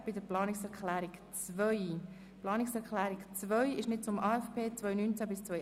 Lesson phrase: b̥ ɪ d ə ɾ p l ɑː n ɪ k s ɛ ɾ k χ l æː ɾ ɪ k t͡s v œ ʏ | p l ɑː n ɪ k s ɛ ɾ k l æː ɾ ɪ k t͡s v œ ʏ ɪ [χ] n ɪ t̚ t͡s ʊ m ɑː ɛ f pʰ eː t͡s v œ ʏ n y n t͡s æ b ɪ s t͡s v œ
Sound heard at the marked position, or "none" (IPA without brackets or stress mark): ʃ